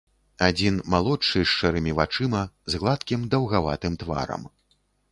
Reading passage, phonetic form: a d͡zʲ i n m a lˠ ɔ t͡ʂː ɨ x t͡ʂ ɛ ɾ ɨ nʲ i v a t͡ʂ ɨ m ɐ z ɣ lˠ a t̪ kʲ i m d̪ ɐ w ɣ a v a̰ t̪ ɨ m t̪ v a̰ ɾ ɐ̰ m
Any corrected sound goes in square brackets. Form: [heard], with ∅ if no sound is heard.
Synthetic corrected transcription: a d͡zʲ i n m a lˠ ɔ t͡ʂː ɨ [ʂ] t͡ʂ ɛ ɾ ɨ [mʲ] i v a t͡ʂ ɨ m ɐ z ɣ lˠ a t̪ kʲ i m d̪ ɐ w ɣ a v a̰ t̪ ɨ m t̪ v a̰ ɾ ɐ̰ m